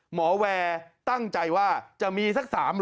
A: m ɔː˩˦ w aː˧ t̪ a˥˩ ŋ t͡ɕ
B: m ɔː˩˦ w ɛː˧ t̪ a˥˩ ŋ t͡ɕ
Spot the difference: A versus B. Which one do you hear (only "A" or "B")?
B